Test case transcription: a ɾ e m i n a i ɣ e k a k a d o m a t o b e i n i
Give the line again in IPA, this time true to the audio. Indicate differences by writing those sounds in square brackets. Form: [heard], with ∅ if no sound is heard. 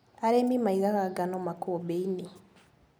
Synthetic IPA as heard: a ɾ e m i [m] a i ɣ [a] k a [ɡ] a [n] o m a [k] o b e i n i